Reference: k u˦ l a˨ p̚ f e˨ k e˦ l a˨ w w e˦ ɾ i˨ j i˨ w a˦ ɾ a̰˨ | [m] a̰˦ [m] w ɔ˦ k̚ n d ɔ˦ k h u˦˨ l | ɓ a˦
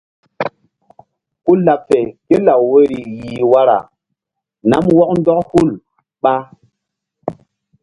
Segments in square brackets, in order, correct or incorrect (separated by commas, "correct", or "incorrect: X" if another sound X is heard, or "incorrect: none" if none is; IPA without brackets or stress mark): incorrect: n, correct